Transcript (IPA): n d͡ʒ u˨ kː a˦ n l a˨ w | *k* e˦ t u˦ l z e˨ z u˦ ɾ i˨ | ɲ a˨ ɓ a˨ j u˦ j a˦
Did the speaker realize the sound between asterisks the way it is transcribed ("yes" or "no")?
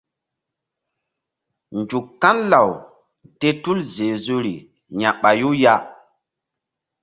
no